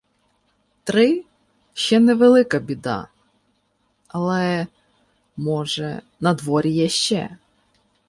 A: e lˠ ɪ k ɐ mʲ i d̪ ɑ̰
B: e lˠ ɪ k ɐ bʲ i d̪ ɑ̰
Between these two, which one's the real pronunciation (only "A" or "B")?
B